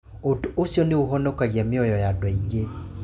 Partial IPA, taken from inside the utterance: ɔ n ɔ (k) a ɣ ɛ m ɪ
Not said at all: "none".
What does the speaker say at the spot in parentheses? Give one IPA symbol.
k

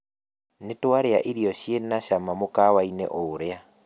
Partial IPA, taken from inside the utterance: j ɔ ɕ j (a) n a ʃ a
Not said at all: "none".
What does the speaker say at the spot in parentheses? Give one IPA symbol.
e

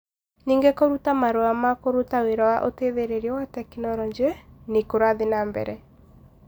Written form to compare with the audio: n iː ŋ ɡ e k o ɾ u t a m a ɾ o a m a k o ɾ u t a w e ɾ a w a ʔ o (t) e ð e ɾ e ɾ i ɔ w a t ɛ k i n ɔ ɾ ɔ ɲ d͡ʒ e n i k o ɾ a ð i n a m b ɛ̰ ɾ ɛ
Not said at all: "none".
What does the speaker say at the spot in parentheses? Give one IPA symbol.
t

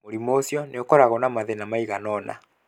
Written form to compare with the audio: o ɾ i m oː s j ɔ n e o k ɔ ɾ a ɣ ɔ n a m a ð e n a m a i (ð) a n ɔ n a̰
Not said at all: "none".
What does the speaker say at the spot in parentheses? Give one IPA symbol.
ɣ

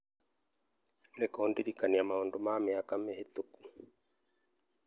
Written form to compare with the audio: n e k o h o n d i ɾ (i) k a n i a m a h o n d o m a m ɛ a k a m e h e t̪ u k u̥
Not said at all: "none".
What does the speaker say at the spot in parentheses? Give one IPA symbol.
i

